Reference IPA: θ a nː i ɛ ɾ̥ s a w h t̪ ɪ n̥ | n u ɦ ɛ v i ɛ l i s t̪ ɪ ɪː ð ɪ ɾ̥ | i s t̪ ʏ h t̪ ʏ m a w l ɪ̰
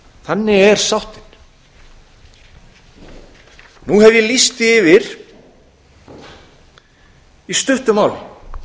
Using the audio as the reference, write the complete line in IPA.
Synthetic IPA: θ a nː ɪ ɛ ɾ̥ s a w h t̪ ɪ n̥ | n u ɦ ɛ v j ɛ l i s t̪ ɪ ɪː v ɪ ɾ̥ | i s t̪ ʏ h t̪ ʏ m a w l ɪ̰